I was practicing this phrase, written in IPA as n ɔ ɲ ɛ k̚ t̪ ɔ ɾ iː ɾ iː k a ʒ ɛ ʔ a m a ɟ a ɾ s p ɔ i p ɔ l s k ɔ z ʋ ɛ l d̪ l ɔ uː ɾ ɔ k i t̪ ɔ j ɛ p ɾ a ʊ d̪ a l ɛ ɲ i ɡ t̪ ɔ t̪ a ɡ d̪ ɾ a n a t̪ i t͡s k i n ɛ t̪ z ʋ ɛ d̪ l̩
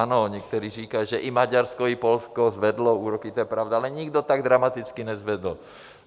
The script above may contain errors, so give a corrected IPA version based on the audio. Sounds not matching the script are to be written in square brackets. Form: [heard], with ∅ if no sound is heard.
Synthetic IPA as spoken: n ɔ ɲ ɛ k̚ t̪ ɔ ɾ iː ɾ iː k a ʒ ɛ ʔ [i] m a ɟ a ɾ s [k] ɔ i p ɔ l s k ɔ z ʋ ɛ [∅] d̪ l ɔ uː ɾ ɔ k i t̪ ɔ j ɛ p ɾ a ʊ d̪ a l ɛ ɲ i ɡ [d̪] ɔ t̪ a ɡ d̪ ɾ a [m] a t̪ i t͡s k i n ɛ [∅] z ʋ ɛ d̪ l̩